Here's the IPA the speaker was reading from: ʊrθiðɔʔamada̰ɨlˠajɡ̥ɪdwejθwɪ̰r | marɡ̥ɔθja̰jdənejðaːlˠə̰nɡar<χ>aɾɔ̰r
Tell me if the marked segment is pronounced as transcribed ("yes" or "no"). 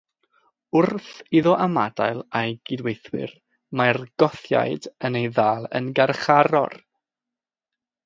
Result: yes